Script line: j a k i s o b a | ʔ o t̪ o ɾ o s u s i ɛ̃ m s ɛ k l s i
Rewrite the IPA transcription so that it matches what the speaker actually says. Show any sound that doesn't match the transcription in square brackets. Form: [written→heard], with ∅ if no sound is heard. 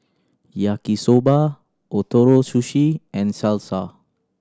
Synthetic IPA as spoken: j a k i s o b a | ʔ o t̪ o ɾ o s u [s→ʃ] i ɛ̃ [m→n] s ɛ [k→∅] l s [i→a]